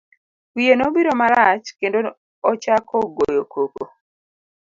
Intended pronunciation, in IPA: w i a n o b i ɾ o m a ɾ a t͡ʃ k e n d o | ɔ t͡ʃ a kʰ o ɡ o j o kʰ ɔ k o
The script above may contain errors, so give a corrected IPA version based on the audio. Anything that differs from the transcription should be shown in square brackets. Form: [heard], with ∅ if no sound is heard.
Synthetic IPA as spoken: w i [e] n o b i ɾ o m a ɾ a t͡ʃ k e n d o | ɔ t͡ʃ a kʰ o ɡ o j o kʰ [o] k o